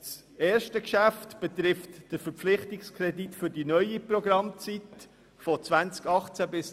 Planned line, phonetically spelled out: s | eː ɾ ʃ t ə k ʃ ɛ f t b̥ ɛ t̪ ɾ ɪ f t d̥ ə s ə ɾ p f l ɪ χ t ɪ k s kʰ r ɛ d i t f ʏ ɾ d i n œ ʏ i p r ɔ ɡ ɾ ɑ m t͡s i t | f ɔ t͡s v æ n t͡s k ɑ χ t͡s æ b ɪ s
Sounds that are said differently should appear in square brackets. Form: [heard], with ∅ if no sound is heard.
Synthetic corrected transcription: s | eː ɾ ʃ t ə k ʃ [æ] f t b̥ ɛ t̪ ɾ ɪ f t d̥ ə [f] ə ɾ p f l ɪ χ t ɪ k s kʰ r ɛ d i t f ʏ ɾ d i n œ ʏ i p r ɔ ɡ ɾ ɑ m t͡s i t | f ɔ t͡s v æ n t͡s k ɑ χ t͡s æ b ɪ s